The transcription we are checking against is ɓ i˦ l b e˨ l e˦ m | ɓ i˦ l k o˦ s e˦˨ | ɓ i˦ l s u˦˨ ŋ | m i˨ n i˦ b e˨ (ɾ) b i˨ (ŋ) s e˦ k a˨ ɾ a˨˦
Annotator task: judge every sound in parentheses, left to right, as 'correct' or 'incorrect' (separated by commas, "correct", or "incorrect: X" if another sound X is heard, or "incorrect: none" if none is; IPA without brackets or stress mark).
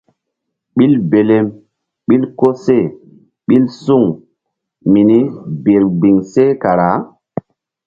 correct, correct